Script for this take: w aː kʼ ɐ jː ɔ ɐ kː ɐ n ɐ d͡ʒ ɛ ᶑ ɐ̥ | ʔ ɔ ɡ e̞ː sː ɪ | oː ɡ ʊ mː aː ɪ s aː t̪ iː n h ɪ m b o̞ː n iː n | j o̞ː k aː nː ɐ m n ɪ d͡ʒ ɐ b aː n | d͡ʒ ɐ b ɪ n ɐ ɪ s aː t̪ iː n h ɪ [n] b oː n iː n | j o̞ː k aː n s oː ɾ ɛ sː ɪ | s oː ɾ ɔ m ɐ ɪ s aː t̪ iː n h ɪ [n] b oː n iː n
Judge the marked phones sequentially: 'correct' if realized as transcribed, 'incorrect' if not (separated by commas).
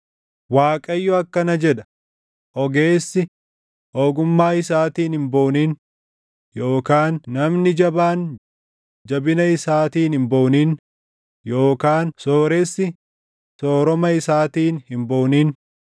incorrect, incorrect